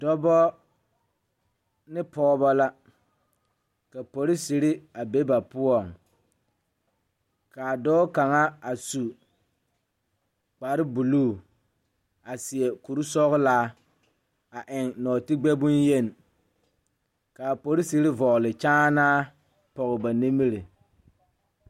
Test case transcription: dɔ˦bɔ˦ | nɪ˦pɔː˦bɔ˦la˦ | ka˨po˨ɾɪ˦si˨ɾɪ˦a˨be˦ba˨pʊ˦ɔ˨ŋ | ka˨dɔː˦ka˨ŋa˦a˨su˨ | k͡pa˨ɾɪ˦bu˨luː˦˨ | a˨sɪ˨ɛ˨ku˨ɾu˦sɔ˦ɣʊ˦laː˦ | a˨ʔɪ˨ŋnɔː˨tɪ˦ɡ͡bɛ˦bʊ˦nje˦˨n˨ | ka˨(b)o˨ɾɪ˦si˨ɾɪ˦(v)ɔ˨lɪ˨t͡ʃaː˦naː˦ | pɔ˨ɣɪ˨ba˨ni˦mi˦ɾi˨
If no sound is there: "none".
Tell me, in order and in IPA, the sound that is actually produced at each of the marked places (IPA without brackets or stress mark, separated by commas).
p, v